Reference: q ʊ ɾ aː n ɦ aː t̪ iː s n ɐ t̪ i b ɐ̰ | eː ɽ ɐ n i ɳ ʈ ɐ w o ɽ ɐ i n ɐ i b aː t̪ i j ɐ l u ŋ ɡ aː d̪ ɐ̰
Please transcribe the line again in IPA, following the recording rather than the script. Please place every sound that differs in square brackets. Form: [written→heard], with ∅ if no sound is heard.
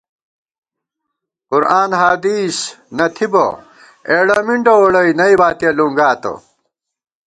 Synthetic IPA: q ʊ ɾ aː n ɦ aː [t̪→d̪] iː s n ɐ [t̪→t̪ʰ] i b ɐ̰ | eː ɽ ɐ [n→m] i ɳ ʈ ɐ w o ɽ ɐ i n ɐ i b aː t̪ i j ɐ l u ŋ ɡ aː [d̪→t̪] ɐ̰